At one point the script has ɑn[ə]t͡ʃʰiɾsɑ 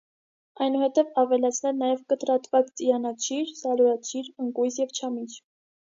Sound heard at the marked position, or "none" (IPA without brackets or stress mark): ɑ